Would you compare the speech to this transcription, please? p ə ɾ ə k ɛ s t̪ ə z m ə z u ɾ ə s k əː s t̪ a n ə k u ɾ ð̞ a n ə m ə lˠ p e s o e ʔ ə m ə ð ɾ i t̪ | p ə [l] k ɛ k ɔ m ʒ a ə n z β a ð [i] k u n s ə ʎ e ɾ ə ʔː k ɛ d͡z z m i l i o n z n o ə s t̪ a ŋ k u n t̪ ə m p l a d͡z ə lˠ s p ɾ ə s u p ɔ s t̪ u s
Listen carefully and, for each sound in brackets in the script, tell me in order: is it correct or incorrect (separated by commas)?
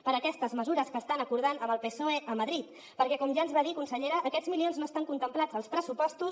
incorrect, correct